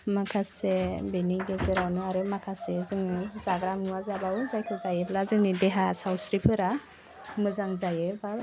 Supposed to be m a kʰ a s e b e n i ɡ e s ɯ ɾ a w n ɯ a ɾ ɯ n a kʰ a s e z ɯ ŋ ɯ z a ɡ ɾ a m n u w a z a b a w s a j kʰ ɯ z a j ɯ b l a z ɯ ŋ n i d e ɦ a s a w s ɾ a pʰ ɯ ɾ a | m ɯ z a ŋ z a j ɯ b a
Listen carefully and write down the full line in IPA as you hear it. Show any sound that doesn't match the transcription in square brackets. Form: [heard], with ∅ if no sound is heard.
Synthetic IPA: m a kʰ a s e b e n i ɡ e [z] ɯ ɾ a w n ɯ a ɾ ɯ [m] a kʰ a s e z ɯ ŋ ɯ z a ɡ ɾ a m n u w a z a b a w [z] a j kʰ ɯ z a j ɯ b l a z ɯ ŋ n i d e ɦ a s a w s ɾ [i] pʰ ɯ ɾ a | m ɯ z a ŋ z a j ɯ b a